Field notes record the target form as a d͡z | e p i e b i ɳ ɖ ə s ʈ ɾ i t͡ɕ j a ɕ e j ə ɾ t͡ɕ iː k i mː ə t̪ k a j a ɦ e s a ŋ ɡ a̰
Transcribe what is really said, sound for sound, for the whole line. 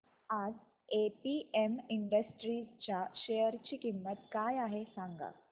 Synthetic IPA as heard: a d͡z | e p i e m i ɳ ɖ ə s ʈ ɾ i t͡ɕ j a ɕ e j ə ɾ t͡ɕ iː k i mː ə t̪ k a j a ɦ e s a ŋ ɡ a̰

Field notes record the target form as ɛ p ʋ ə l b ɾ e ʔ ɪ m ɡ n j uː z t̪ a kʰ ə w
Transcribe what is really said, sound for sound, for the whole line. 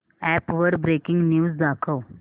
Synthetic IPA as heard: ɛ p ʋ ə ɾ b ɾ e k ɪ ŋ ɡ n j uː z d̪ a kʰ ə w

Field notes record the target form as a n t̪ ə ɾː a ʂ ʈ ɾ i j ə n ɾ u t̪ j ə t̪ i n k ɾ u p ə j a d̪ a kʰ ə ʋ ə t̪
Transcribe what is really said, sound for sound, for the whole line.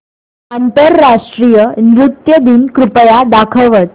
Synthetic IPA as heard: a n t̪ ə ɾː a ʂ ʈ ɾ i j ə n ɾ u t̪ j ə d̪ i n k ɾ u p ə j a d̪ a kʰ ə ʋ ə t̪

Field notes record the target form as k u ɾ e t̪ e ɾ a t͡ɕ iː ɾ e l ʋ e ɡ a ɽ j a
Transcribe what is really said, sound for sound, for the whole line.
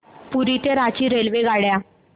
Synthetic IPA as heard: p u ɾ i t̪ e ɾ a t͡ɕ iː ɾ e l ʋ e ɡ a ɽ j a

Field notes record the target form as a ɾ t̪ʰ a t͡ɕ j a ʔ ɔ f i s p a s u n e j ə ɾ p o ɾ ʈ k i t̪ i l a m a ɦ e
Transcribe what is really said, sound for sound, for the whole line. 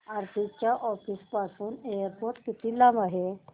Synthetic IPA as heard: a ɾ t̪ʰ i t͡ɕ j a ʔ ɔ f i s p a s uː n e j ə ɾ p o ɾ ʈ k i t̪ i l a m a ɦ e

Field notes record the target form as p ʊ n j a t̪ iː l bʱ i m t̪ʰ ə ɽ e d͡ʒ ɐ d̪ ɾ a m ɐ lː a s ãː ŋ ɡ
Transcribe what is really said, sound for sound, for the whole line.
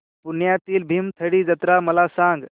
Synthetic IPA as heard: p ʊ n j a t̪ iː l bʱ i m t̪ʰ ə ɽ i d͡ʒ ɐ t̪ ɾ a m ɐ l a s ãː ŋ ɡ

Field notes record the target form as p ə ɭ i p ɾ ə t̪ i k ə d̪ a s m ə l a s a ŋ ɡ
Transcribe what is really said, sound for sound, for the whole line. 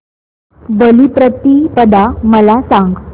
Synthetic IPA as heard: b ə l i p ɾ ə t̪ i p ə d̪ a m ə l a s a ŋ ɡ

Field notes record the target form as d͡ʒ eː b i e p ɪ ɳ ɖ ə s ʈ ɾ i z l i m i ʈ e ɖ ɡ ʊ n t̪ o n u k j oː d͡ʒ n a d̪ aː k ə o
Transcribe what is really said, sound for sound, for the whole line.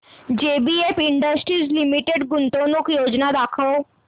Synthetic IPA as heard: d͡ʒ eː b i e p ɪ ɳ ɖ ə s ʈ ɾ i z l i m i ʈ e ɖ ɡ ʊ n t̪ o n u k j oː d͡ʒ n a d̪ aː kʰ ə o

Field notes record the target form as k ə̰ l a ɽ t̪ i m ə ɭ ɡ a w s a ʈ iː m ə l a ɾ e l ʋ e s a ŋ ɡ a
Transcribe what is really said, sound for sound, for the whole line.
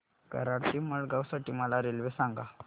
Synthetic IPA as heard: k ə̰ ɾ a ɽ t̪ i m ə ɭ ɡ a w s a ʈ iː m ə l a ɾ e l ʋ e s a ŋ ɡ a

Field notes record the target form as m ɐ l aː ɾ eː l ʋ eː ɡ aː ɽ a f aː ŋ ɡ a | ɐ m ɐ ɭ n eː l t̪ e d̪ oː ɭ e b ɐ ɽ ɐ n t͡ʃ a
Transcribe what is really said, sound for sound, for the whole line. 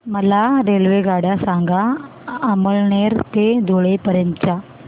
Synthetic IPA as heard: m ɐ l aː ɾ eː l ʋ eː ɡ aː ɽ a s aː ŋ ɡ a | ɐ m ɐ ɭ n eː ɾ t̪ e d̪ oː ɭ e p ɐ ɾ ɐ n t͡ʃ a

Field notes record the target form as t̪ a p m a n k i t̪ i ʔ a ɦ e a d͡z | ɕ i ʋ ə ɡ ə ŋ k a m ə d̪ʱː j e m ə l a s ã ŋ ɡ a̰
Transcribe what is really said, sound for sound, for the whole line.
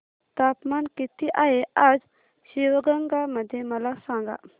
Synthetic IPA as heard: t̪ a p m a n k i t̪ i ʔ a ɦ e a d͡z | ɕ i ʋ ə ɡ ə ŋ ɡ a m ə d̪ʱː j e m ə l a s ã ŋ ɡ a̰

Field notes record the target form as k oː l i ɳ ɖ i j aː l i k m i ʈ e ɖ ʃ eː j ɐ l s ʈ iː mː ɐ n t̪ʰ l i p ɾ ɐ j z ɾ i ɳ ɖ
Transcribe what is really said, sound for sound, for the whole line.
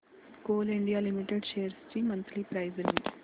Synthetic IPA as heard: k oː l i ɳ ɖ i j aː l i m i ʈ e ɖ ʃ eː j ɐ ɾ s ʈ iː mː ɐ n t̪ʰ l i p ɾ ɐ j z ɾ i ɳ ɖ

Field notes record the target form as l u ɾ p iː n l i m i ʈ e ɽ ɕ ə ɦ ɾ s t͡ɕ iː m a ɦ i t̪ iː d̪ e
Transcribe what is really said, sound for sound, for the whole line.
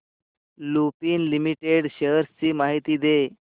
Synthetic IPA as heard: l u p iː n l i m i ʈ e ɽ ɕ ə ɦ ɾ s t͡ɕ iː m a ɦ i t̪ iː d̪ e

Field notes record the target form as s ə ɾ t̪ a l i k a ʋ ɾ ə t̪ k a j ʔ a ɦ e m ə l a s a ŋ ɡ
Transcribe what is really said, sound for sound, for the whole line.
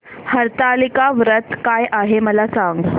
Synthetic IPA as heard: h ə ɾ t̪ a l i k a ʋ ɾ ə t̪ k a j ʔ a ɦ e m ə l a s a ŋ ɡ

